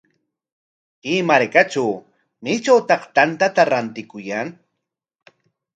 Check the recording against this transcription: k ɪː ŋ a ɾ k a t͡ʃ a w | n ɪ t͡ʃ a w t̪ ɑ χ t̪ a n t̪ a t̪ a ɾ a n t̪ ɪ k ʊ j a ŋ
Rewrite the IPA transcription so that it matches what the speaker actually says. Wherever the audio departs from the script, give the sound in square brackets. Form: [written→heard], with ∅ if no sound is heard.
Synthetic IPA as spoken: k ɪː [ŋ→m] a ɾ k a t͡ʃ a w | [n→m] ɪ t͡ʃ a w t̪ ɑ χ t̪ a n t̪ a t̪ a ɾ a n t̪ ɪ k ʊ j a ŋ